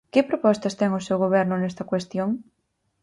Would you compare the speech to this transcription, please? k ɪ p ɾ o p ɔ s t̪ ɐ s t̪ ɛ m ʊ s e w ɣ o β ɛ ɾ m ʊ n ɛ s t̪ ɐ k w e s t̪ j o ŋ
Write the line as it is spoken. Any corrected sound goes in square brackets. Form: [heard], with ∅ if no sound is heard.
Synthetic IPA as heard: k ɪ p ɾ o p ɔ s t̪ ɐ s t̪ ɛ [ŋ] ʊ s e w ɣ o β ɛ ɾ [n] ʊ n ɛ s t̪ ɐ k w e s t̪ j o ŋ